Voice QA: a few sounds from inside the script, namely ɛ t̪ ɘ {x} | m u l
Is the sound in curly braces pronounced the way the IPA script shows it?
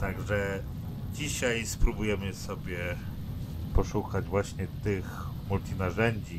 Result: yes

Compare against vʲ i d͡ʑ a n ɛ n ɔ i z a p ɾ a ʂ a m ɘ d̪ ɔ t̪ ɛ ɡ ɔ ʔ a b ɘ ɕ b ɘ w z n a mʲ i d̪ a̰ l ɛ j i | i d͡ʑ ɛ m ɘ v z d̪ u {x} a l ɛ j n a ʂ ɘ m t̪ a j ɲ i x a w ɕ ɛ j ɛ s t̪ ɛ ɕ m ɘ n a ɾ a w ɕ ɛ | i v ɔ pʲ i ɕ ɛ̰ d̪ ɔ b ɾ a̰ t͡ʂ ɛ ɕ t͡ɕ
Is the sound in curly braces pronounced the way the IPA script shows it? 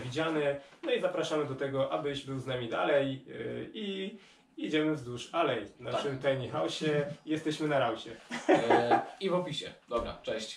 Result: no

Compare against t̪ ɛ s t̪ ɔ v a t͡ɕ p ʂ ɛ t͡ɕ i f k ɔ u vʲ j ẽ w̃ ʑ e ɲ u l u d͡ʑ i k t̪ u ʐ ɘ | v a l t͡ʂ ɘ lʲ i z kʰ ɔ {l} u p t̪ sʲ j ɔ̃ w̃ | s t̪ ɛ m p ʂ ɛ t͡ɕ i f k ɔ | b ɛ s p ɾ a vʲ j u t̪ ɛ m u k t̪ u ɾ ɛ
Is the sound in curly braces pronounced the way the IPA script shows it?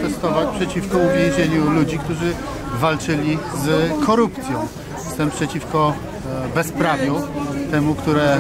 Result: no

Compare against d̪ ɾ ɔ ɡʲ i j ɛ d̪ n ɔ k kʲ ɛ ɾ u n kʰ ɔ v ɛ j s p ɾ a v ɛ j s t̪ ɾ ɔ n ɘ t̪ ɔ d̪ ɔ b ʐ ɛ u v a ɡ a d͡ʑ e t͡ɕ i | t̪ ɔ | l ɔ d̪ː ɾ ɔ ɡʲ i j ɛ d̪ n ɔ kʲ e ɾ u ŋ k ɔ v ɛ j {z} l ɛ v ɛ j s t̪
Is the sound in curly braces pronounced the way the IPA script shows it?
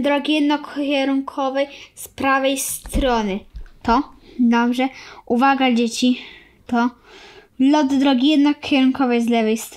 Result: yes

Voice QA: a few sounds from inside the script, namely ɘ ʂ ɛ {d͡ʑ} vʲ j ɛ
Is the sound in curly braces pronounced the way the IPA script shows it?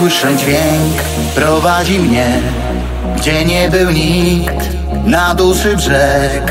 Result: yes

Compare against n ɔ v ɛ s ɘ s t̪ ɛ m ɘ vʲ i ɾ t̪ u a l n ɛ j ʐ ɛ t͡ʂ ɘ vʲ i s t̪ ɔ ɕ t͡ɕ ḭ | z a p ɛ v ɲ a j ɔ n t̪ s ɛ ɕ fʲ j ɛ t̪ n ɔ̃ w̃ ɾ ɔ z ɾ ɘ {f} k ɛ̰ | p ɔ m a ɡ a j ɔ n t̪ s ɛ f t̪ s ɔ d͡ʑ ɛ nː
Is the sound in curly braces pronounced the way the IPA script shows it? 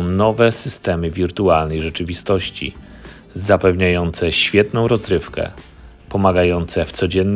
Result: yes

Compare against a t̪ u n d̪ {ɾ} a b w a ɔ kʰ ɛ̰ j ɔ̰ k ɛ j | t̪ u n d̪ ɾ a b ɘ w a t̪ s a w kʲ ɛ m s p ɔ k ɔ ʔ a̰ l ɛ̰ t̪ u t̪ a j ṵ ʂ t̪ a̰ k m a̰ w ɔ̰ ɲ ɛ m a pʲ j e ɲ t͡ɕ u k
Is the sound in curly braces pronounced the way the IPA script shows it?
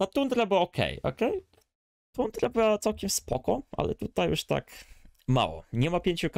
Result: yes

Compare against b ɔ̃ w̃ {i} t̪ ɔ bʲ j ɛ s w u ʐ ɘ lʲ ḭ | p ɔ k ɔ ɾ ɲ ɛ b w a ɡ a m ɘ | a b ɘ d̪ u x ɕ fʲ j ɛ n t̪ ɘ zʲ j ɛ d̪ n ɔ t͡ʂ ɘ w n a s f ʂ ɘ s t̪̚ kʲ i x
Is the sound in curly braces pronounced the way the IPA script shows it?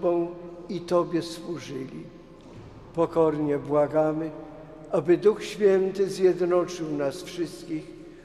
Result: yes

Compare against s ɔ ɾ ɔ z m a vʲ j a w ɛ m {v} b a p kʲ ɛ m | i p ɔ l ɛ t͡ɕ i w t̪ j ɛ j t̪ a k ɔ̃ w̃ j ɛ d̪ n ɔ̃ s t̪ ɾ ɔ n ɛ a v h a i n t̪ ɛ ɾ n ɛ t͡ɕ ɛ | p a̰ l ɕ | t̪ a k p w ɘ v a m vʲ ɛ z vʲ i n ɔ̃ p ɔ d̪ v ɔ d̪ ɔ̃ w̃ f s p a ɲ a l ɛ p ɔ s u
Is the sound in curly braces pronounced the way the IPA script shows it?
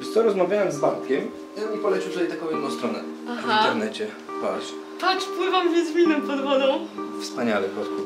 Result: no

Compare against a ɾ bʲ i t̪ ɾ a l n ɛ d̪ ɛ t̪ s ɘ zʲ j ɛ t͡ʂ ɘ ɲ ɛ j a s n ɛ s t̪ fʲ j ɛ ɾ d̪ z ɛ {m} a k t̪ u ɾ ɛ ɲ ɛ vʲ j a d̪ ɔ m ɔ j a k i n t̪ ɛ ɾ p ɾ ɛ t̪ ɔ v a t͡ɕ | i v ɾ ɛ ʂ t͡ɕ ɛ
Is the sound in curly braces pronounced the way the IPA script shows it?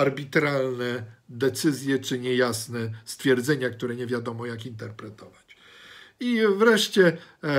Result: no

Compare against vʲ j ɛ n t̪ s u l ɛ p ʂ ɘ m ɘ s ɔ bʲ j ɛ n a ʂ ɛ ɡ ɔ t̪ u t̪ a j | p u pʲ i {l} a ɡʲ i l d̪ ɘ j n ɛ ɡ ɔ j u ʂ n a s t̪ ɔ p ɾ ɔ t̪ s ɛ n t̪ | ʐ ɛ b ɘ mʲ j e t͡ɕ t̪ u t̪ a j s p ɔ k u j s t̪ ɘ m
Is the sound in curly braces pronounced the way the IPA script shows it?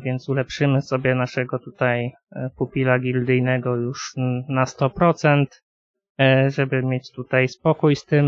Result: yes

